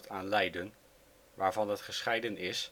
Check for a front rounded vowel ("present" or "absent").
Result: absent